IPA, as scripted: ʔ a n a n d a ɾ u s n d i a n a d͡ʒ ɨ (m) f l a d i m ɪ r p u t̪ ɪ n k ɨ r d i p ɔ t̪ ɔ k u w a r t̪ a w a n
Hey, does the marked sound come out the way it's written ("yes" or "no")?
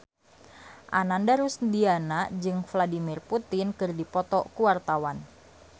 no